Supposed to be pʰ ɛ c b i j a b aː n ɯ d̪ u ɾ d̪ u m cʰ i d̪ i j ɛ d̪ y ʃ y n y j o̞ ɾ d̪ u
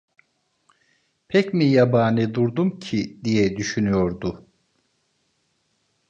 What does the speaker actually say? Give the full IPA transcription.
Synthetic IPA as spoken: pʰ ɛ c m i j a b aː n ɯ d̪ u ɾ d̪ u m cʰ i d̪ i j ɛ d̪ y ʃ y n y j o̞ ɾ d̪ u